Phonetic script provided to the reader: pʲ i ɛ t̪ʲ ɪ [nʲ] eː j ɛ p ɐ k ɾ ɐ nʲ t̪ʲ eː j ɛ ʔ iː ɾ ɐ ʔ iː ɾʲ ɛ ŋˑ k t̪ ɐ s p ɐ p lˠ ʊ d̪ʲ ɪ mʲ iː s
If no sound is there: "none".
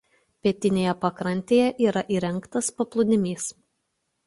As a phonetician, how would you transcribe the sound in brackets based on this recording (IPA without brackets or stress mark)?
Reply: nʲ